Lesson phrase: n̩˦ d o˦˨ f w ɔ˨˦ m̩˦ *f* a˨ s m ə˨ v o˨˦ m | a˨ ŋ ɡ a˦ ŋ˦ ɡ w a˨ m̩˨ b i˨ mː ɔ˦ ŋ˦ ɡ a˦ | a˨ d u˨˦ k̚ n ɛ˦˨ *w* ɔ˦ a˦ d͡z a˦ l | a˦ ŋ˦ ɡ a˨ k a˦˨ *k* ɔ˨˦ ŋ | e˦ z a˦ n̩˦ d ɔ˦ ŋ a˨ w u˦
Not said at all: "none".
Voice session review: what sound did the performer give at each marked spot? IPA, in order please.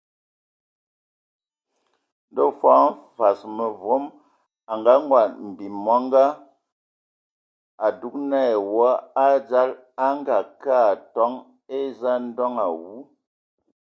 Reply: f, w, t

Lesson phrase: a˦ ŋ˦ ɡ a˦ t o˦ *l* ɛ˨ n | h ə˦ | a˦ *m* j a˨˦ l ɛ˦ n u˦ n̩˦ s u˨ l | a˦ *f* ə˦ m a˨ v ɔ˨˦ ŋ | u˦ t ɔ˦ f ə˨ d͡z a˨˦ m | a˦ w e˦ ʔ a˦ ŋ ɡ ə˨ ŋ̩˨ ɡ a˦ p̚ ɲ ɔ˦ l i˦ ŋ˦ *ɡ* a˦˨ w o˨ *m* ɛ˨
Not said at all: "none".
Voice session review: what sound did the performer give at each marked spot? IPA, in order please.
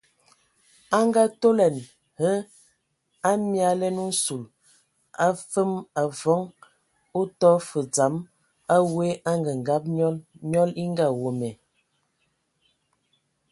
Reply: l, m, f, ɡ, m

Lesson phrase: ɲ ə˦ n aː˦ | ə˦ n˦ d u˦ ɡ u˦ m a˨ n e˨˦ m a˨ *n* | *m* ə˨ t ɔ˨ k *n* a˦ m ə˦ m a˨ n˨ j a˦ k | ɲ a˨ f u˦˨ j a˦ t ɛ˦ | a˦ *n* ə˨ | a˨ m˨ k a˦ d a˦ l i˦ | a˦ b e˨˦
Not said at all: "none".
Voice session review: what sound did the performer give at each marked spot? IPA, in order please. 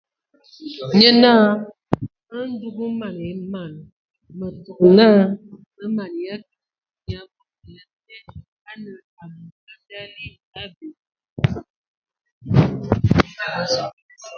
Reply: n, m, n, n

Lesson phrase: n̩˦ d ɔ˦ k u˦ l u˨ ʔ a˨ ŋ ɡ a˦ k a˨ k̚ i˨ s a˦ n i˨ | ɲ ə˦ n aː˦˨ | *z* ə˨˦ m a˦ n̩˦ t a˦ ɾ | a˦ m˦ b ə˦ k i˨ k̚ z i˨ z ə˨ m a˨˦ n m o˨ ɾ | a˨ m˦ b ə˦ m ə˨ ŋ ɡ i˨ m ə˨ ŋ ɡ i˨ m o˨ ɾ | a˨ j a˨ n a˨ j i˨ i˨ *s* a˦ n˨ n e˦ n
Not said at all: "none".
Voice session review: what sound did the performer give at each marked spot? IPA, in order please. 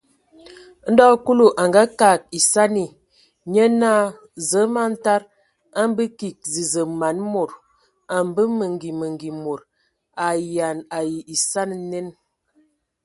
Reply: z, s

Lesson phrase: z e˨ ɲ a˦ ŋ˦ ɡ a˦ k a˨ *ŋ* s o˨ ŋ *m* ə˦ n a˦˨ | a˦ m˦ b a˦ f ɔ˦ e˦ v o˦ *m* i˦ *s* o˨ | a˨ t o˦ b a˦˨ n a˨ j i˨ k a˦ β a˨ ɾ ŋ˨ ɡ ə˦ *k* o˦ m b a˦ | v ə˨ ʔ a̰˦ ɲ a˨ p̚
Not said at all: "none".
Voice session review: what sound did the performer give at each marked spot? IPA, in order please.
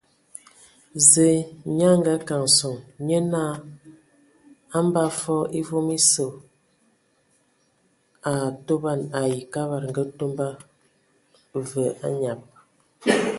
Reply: ŋ, ɲ, m, s, t

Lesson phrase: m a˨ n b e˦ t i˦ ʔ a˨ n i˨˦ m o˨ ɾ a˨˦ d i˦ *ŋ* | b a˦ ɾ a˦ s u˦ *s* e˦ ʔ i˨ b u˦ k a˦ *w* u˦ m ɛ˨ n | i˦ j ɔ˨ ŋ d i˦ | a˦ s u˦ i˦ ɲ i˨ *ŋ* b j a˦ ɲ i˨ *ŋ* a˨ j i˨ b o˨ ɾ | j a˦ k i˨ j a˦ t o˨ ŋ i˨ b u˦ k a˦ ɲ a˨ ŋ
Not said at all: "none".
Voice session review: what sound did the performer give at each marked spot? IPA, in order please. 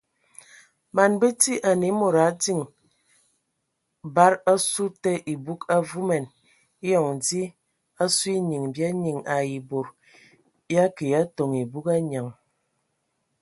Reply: ŋ, t, v, ŋ, ŋ

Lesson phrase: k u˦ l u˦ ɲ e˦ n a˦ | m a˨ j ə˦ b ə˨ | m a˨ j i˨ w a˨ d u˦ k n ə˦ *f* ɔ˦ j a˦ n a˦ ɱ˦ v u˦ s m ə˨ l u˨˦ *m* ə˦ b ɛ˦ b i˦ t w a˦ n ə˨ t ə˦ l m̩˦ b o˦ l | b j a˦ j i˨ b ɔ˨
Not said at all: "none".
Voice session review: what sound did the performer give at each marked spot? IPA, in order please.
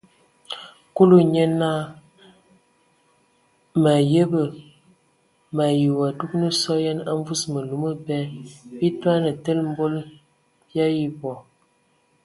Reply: s, m

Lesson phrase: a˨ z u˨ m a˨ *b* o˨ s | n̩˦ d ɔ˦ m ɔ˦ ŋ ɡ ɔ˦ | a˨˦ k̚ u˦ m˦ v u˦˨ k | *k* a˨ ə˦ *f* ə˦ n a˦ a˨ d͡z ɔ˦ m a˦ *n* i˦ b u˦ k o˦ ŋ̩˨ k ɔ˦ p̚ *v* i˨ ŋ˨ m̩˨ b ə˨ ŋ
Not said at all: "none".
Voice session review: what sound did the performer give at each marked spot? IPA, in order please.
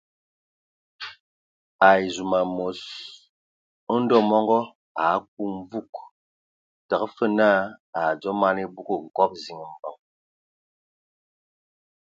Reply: m, t, f, n, z

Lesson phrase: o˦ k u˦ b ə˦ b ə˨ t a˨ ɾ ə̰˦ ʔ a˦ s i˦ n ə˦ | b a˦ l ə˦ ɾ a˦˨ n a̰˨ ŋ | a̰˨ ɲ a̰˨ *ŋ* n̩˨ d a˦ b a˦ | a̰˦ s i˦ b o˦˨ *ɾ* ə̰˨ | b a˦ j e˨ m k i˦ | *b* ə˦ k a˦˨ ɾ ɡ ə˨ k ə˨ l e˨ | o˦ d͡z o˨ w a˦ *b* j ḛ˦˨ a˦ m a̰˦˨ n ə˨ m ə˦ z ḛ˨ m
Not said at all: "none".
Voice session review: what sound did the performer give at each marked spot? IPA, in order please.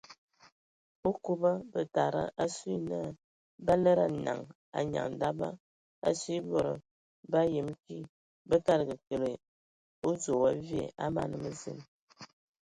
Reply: ŋ, ɾ, b, v

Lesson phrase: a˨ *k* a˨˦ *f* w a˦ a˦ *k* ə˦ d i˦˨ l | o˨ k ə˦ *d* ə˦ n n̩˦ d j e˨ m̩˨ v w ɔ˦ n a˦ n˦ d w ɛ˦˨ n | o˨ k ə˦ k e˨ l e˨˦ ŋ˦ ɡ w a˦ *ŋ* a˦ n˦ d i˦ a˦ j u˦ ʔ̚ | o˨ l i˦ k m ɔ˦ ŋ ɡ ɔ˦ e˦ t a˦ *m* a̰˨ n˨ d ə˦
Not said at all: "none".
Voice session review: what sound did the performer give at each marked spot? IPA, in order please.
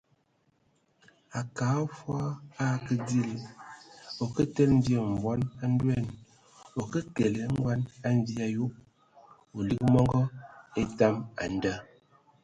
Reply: k, f, k, t, n, m

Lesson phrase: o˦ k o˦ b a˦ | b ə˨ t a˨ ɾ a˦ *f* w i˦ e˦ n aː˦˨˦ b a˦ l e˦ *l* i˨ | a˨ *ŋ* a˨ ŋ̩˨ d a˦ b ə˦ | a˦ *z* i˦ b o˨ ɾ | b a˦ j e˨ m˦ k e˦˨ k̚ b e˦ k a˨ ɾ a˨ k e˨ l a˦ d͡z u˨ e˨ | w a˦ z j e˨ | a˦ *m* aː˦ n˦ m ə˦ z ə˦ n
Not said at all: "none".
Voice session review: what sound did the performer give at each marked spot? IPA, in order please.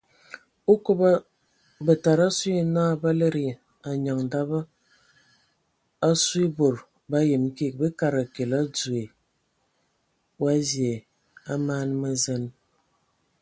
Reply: s, ɾ, ɲ, s, m

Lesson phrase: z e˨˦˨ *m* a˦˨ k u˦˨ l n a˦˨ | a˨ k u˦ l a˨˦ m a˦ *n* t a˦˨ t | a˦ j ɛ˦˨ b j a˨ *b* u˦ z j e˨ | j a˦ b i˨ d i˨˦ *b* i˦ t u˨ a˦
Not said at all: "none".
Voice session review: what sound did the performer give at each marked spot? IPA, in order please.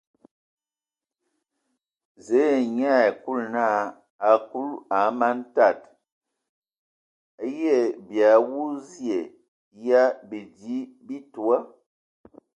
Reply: ɲ, n, w, b

